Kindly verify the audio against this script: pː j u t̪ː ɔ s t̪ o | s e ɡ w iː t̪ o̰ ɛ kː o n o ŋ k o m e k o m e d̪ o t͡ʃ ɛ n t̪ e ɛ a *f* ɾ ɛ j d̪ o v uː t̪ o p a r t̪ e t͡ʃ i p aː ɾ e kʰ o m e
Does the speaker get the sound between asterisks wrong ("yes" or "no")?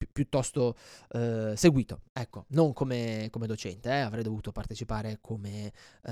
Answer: yes